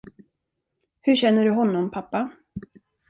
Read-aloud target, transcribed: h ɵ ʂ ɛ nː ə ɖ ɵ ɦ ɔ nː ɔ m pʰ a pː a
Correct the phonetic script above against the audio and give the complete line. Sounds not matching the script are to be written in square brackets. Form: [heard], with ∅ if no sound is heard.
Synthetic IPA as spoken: h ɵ [ɕ] ɛ nː ə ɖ ɵ ɦ ɔ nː ɔ m pʰ a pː a